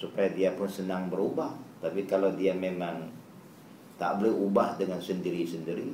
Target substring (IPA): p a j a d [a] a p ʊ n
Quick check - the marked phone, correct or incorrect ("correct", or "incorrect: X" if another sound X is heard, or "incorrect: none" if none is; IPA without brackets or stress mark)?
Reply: incorrect: i